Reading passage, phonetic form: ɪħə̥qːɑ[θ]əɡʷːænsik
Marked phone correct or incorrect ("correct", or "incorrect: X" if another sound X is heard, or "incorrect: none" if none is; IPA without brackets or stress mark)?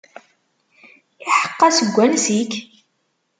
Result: incorrect: s